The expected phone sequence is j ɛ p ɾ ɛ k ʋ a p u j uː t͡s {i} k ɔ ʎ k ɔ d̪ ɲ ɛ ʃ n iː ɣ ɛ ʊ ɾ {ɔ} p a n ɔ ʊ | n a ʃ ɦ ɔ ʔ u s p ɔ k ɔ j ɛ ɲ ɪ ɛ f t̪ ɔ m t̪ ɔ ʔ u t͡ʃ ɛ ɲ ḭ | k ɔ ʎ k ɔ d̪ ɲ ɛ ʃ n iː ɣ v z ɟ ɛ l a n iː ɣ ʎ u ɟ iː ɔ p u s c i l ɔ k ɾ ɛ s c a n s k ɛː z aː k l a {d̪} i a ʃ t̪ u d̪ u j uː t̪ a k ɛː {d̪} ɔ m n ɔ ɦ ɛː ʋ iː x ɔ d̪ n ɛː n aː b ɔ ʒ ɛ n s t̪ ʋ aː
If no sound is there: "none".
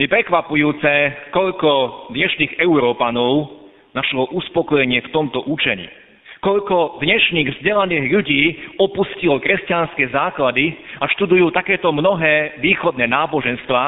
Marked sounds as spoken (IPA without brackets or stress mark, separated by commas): ɛ, ɔː, d̪, t̪